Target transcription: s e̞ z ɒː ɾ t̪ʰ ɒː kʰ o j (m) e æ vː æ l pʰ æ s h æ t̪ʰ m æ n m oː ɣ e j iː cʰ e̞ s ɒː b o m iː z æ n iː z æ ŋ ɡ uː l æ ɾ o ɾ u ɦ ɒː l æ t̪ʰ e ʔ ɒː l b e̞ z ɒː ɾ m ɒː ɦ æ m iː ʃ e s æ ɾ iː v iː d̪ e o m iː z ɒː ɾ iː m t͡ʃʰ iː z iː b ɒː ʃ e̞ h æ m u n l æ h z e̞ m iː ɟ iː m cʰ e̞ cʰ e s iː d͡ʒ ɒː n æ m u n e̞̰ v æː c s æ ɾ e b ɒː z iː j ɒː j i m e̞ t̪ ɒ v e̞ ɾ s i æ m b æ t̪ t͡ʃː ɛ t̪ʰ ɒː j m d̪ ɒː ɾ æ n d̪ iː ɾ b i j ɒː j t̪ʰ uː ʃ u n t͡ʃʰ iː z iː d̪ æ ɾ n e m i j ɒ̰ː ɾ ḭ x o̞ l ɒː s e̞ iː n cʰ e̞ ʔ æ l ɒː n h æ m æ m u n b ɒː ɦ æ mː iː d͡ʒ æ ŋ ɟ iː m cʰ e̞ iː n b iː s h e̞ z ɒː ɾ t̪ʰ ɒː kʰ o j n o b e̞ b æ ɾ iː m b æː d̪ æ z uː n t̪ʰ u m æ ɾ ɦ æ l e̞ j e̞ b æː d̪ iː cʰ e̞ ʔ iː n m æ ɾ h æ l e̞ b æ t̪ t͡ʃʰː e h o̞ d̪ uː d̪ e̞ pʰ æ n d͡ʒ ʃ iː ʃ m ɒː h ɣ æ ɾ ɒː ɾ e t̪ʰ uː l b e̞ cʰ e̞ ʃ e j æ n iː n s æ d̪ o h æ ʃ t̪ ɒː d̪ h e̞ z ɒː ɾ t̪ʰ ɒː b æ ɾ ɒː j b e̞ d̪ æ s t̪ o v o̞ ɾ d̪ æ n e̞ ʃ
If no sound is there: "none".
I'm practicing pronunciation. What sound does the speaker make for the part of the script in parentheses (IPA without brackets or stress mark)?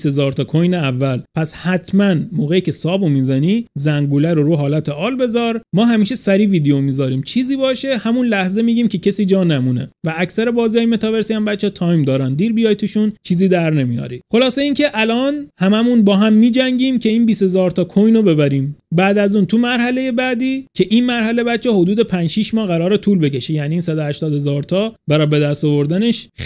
n